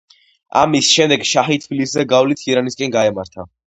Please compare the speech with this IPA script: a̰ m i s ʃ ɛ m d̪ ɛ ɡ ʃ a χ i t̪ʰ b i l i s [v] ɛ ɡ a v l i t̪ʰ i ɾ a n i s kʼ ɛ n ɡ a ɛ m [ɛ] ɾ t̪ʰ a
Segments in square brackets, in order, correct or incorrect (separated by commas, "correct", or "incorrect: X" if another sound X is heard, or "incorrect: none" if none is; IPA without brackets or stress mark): incorrect: z, incorrect: a